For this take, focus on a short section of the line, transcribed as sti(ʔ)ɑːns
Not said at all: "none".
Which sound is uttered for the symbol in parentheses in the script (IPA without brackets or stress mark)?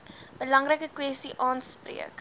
ʔ